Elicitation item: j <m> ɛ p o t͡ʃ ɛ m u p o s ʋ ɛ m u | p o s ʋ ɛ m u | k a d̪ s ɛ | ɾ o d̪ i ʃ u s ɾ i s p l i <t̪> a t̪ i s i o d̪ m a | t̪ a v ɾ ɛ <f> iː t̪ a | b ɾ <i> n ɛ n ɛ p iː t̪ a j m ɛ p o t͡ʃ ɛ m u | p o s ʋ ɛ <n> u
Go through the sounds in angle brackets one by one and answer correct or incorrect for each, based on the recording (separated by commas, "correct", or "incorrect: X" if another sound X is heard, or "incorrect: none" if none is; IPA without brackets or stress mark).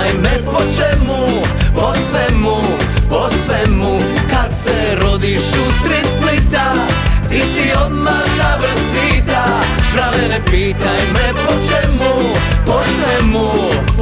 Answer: correct, correct, incorrect: s, incorrect: a, incorrect: m